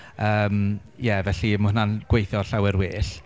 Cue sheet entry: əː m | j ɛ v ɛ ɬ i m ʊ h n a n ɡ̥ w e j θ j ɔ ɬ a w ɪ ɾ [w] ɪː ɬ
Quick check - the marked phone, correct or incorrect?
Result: correct